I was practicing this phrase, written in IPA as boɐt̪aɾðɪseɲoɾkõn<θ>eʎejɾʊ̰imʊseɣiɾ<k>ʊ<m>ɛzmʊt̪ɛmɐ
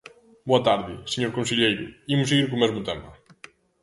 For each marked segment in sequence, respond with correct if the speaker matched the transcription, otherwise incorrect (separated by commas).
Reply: incorrect, correct, correct